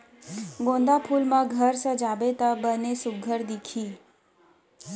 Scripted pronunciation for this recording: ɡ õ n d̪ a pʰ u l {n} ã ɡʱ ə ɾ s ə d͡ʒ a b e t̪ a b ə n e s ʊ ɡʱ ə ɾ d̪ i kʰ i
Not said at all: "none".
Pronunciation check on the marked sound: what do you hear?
m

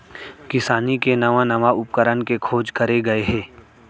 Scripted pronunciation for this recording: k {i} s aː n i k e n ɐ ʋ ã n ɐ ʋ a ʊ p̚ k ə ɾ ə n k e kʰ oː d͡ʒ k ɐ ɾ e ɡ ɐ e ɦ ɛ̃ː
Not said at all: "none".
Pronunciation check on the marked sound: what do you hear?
ɪ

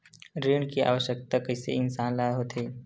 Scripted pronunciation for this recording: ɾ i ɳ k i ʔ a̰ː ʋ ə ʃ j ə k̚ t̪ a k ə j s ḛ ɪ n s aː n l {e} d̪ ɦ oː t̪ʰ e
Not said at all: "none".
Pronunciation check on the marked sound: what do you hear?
a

